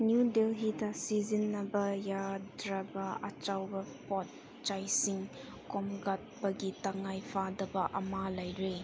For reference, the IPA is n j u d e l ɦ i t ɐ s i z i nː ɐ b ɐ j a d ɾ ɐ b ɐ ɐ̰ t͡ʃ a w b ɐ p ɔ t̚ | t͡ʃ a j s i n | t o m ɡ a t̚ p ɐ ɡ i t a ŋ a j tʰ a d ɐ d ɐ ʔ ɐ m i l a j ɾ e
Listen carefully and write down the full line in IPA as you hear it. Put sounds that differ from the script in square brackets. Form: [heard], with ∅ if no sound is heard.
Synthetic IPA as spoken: n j u d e l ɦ i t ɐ s i z i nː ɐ b ɐ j a d ɾ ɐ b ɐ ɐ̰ t͡ʃ a w b ɐ p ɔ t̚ | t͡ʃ a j s i [ŋ] | [k] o m ɡ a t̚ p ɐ ɡ i t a ŋ a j [pʰ] a d ɐ [b] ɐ ʔ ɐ m [a] l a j ɾ e

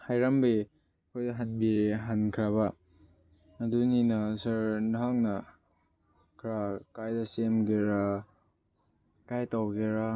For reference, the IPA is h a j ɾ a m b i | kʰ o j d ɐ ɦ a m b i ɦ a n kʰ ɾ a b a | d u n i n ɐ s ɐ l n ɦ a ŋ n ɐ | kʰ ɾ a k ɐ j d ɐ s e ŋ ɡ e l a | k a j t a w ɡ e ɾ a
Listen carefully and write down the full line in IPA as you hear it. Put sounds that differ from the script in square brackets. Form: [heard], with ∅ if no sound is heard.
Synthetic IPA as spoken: h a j ɾ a m b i | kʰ o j d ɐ ɦ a [n] b i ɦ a n kʰ ɾ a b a | d u n i n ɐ s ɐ [ɾ] n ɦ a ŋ n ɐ | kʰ ɾ a k [a] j d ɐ s e [m] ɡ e [ɾ] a | k a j t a w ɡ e ɾ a

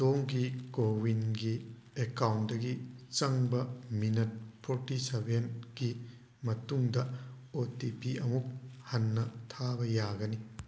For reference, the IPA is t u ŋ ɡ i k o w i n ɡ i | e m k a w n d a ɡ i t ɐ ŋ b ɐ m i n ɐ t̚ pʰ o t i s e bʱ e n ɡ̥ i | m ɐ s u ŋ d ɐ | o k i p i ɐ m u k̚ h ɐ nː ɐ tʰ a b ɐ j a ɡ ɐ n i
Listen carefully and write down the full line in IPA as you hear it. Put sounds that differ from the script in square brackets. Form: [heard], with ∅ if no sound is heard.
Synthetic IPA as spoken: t [o] ŋ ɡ i k o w i n ɡ i | e [∅] k a w n d [ɐ] ɡ i [t͡ʃ] ɐ ŋ b ɐ m i n ɐ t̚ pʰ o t i s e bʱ e n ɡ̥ i | m ɐ [t] u ŋ d ɐ | o [t] i p i ɐ m u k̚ h ɐ nː ɐ tʰ a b ɐ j a ɡ ɐ n i

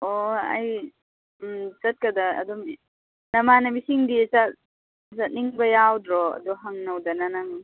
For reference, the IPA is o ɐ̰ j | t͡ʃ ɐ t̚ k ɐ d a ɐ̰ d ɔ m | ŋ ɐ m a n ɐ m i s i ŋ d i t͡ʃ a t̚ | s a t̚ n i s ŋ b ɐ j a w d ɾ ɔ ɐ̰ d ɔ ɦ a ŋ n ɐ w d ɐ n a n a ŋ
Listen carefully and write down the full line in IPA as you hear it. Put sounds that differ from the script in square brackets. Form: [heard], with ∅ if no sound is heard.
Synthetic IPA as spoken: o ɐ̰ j | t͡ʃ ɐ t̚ k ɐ d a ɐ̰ d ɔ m | [n] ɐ m a n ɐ m i s i ŋ d i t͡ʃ a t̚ | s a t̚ n i [∅] ŋ b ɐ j a w d ɾ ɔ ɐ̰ d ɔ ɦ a ŋ n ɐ w d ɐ n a n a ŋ

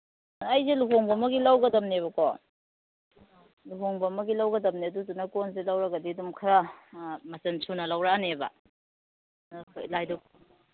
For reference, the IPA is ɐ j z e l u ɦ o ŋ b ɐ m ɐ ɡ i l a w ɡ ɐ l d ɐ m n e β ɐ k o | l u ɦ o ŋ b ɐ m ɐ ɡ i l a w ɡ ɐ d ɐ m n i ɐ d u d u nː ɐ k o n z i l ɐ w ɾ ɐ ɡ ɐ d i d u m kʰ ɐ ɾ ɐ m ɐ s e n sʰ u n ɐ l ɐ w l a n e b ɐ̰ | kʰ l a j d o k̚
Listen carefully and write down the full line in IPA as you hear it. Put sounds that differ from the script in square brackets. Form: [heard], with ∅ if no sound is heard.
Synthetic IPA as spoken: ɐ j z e l u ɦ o ŋ b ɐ m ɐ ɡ i l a w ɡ ɐ [∅] d ɐ m n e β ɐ k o | l u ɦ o ŋ b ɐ m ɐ ɡ i l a w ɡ ɐ d ɐ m n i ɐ d u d u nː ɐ k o n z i l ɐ w ɾ ɐ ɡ ɐ d i d u m kʰ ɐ ɾ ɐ m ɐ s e n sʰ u n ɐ l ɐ w [ɾ] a n e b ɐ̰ | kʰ l a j d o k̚

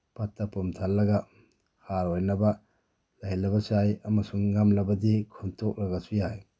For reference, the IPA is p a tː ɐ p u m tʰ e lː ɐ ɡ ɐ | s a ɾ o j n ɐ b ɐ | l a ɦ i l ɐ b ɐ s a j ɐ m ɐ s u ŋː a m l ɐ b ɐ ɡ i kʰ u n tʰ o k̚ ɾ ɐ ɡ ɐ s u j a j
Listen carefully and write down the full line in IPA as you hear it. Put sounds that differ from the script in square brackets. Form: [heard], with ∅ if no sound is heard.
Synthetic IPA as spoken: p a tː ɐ p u m tʰ [a] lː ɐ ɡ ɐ | [h] a ɾ o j n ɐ b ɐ | l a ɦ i l ɐ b ɐ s a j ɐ m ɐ s u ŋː a m l ɐ b ɐ [d] i kʰ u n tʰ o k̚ ɾ ɐ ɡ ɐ s u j a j

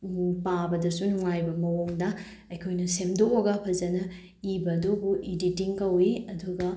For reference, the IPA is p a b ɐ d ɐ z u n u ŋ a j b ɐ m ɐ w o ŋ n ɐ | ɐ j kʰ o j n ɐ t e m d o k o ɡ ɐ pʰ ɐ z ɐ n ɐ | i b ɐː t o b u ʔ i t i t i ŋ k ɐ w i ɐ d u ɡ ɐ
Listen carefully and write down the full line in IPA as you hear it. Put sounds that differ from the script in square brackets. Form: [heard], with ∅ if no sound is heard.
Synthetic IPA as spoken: p a b ɐ d ɐ [s] u n u ŋ a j b ɐ m ɐ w o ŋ [d] ɐ | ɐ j kʰ o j n ɐ [s] e m d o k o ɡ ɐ pʰ ɐ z ɐ n ɐ | i b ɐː [d] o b u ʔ i [d] i t i ŋ k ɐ w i ɐ d u ɡ ɐ

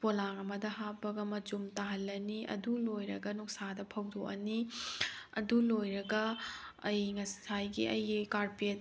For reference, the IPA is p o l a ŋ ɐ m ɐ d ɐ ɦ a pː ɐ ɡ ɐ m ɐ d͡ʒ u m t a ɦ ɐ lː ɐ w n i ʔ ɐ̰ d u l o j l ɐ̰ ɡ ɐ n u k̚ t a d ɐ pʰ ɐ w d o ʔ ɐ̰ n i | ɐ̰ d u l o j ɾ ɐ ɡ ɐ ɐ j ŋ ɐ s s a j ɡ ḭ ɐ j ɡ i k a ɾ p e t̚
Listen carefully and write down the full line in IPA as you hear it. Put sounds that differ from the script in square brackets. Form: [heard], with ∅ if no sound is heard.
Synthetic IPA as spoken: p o l a ŋ ɐ m ɐ d ɐ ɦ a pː ɐ ɡ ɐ m ɐ d͡ʒ u m t a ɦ ɐ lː ɐ [∅] n i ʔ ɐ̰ d u l o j [ɾ] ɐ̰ ɡ ɐ n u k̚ [s] a d ɐ pʰ ɐ w d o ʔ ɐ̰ n i | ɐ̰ d u l o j ɾ ɐ ɡ ɐ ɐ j ŋ ɐ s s a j ɡ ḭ ɐ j ɡ i k a ɾ p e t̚

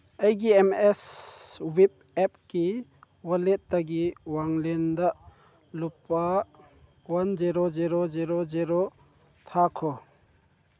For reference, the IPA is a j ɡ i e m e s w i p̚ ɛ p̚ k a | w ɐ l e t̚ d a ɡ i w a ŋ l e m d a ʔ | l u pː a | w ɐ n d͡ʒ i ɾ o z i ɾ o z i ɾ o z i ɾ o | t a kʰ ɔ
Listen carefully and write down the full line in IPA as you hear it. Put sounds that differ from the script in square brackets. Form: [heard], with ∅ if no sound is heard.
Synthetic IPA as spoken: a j ɡ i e m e s w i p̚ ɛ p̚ k [i] | w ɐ l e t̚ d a ɡ i w a ŋ l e [n] d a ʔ | l u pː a | w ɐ n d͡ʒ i ɾ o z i ɾ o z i ɾ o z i ɾ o | [tʰ] a kʰ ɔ

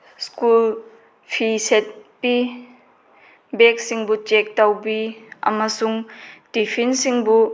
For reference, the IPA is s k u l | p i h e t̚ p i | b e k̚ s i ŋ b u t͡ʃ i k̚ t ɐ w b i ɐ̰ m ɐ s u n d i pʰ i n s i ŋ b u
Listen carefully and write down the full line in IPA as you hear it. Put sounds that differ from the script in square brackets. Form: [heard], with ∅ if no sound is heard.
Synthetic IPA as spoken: s k u l | [pʰ] i [s] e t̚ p i | b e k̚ s i ŋ b u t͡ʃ [e] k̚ t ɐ w b i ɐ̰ m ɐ s u [ŋ] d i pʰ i n s i ŋ b u

